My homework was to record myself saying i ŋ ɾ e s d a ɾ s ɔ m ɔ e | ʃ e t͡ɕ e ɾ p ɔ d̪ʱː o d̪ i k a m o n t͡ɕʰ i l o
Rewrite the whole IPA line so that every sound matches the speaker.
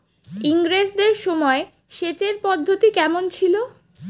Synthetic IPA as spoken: i ŋ ɾ e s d e ɾ ʃ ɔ m ɔ e | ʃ e t͡ɕ e ɾ p ɔ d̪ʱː o t̪ i k ɛ m o n t͡ɕʰ i l o

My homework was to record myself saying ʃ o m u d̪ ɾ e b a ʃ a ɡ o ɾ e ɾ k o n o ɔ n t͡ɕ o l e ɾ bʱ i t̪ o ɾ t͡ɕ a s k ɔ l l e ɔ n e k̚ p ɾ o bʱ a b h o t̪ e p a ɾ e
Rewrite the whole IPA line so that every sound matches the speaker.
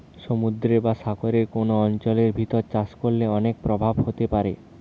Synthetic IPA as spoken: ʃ o m u d̪ ɾ e b a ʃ a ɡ o ɾ e ɾ k o n o ɔ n t͡ɕ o l e ɾ bʱ i t̪ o ɾ t͡ɕ a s k o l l e ɔ n e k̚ p ɾ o bʱ a b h o t̪ e p a ɾ e

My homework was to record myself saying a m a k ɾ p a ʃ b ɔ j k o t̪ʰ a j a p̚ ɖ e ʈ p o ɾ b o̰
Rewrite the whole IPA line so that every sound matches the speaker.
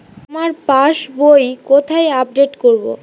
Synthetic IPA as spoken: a m a ɾ p a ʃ b o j k o t̪ʰ a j a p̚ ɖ e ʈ k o ɾ b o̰

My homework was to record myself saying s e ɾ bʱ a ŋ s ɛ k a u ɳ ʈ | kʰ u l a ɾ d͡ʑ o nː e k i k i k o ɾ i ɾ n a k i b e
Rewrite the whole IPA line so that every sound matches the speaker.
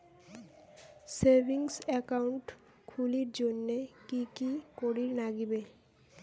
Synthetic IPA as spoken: s e ɾ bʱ i ŋ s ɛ k a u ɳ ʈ | kʰ u l i ɾ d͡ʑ o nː e k i k i k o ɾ i ɾ n a ɡ i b e

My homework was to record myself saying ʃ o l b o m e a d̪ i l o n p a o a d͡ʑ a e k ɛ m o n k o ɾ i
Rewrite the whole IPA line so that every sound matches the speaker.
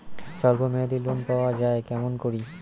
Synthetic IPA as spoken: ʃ ɔ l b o m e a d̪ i l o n p a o a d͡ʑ a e k ɛ m o n k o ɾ i

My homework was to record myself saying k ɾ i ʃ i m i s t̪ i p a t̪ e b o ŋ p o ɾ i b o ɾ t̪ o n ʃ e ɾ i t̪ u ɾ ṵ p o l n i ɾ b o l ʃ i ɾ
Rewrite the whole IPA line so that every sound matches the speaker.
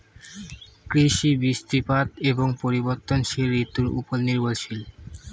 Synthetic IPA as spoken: k ɾ i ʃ i b i s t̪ i p a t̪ e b o ŋ p o ɾ i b o ɾ t̪ o n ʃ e ɾ i t̪ u ɾ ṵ p o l n i ɾ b o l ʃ i l

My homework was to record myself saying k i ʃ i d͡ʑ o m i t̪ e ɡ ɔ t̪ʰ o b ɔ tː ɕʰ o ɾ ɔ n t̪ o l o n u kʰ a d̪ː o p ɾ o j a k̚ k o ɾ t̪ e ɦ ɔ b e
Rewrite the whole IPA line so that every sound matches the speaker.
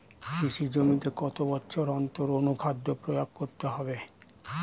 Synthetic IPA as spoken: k i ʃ i d͡ʑ o m i t̪ e k ɔ t̪ o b ɔ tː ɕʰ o ɾ ɔ n t̪ o ɾ o n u kʰ a d̪ː o p ɾ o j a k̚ k o ɾ t̪ e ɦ ɔ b e

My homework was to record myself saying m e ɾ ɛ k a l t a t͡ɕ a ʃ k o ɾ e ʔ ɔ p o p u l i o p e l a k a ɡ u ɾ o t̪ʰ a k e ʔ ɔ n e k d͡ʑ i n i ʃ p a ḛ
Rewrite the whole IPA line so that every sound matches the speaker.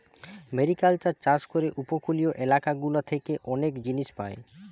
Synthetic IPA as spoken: m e ɾ i k a l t a t͡ɕ a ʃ k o ɾ e ʔ u p o k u l i o ʔ e l a k a ɡ u l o t̪ʰ e k e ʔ ɔ n e k d͡ʑ i n i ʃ p a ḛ

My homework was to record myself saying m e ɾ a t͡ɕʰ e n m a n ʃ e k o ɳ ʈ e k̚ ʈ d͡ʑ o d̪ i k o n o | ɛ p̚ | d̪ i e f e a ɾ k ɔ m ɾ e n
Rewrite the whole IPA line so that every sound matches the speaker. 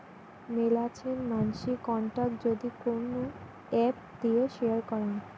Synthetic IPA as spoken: m e l a t͡ɕʰ e n m a n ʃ i k ɔ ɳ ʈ a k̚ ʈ d͡ʑ o d̪ i k o n o | ɛ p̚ | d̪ i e ʃ e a ɾ k ɔ ɾ e n

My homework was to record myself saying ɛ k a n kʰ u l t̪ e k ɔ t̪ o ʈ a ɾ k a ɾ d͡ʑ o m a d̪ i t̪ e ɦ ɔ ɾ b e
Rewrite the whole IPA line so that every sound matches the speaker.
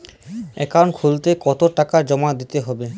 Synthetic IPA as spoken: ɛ k a n kʰ u l t̪ e k ɔ t̪ o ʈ a k a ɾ d͡ʑ ɔ m a d̪ i t̪ e ɦ ɔ b e

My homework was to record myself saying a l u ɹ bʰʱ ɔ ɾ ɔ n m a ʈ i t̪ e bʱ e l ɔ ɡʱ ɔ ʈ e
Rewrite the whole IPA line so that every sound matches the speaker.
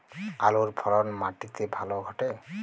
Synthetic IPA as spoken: a l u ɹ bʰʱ ɔ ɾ ɔ n m a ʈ i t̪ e bʱ a l ɔ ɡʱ ɔ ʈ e

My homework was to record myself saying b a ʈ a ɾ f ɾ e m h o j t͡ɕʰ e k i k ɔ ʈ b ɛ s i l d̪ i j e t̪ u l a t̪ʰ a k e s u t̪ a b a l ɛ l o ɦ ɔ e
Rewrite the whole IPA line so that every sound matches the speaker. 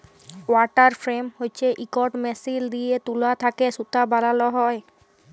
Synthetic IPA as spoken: w a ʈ a ɾ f ɾ e m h o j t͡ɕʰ e ʔ i k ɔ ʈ m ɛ s i l d̪ i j e t̪ u l a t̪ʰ a k e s u t̪ a b a l a l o ɦ ɔ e

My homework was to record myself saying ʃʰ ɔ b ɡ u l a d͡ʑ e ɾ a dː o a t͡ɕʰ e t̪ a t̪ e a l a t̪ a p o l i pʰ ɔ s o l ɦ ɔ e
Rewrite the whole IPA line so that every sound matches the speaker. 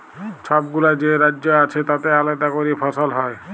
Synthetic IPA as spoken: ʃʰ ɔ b ɡ u l a d͡ʑ e ɾ a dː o a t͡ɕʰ e t̪ a t̪ e a l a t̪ a k o ɾ i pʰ ɔ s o l ɦ ɔ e

